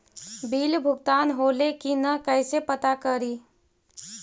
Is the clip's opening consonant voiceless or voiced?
voiced